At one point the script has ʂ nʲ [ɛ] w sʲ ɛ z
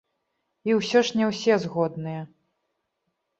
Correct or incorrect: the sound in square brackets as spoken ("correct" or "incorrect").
correct